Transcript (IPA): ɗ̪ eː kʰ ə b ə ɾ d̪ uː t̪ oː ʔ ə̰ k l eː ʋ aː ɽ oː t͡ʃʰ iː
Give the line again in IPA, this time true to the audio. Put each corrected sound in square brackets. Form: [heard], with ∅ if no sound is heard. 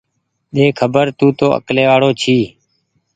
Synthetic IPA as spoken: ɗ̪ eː kʰ ə b ə ɾ [t̪] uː t̪ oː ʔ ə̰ k l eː ʋ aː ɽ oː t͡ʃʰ iː

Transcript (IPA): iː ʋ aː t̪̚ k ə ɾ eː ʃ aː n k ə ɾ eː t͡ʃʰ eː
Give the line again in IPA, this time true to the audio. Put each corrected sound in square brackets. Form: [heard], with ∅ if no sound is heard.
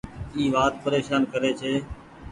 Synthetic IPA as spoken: iː ʋ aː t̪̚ [p] ə ɾ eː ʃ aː n k ə ɾ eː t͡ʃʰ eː

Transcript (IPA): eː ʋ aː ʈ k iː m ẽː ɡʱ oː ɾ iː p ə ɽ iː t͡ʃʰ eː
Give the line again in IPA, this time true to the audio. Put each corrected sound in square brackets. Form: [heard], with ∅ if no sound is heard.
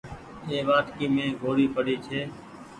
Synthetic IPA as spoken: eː ʋ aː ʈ k iː m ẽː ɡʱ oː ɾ iː p ə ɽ iː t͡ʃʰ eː

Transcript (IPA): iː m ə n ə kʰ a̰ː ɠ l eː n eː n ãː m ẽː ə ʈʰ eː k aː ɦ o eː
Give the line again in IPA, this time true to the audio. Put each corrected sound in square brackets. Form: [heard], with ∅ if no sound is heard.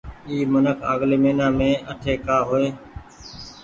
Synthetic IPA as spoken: iː m ə n ə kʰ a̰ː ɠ l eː [m] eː n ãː m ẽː ə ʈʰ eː k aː ɦ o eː

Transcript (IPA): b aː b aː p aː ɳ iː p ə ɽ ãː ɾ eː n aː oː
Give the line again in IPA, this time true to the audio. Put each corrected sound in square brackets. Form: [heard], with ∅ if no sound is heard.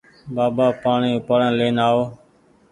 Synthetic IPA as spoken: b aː b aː p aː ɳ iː p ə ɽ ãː [l] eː n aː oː

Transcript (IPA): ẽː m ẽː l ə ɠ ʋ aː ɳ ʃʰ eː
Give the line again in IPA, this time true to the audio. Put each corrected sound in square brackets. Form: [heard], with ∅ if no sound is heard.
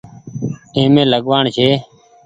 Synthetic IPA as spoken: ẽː m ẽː l ə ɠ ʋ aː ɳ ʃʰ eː

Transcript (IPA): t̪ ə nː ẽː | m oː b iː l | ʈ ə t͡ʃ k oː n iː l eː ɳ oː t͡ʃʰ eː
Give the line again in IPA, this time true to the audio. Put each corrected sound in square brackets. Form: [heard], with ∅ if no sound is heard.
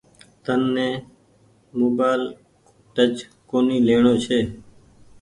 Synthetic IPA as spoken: t̪ ə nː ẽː | m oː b [aː] l | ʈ ə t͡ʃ k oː n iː l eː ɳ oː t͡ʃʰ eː

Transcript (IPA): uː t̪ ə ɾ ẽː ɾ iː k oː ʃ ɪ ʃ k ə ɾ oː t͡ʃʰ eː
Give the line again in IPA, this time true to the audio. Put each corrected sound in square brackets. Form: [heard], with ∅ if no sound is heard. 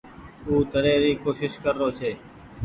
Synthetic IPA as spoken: uː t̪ ə ɾ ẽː ɾ iː k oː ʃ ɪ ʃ k ə [ɾː] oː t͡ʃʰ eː

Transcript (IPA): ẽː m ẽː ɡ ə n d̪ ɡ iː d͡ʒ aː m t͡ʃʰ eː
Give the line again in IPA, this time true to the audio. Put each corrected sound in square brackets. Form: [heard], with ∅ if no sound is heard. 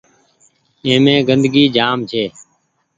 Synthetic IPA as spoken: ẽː m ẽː ɡ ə n d̪ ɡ iː d͡ʒ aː m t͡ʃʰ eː

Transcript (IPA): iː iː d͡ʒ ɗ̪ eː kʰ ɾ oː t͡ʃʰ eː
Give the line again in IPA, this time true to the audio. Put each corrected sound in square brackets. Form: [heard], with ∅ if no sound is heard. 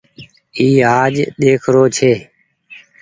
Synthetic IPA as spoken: iː [aː] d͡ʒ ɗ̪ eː kʰ ɾ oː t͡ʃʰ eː

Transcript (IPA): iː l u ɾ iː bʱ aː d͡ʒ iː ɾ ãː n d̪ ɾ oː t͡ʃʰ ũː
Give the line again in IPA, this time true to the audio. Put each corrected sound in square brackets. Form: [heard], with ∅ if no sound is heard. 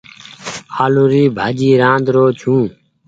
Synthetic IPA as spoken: [aː] l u ɾ iː bʱ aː d͡ʒ iː ɾ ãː n d̪ ɾ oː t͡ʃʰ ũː

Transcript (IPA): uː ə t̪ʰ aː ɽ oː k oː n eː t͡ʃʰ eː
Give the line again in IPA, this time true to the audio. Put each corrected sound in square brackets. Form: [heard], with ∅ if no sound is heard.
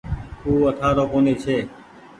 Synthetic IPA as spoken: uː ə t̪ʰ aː [ɾ] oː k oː n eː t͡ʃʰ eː

